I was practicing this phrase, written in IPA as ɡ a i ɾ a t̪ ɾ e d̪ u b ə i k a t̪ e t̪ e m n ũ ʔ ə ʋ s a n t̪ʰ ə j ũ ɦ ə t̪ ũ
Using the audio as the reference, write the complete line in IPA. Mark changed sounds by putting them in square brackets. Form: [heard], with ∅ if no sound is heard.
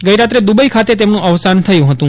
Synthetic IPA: ɡ [ə] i ɾ a t̪ ɾ e d̪ u b ə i [kʰ] a t̪ e t̪ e m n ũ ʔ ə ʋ s a n t̪ʰ ə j ũ ɦ ə t̪ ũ